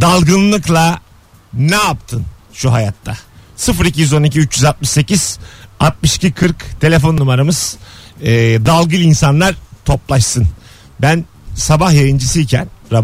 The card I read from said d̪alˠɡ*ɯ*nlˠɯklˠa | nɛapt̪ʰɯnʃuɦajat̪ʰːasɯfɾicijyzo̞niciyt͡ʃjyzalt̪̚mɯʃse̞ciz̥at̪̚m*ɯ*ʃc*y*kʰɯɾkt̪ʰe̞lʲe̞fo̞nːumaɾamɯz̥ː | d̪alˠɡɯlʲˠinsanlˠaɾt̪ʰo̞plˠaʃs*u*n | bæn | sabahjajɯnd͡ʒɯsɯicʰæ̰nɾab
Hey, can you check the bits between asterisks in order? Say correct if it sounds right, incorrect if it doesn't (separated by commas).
correct, correct, incorrect, incorrect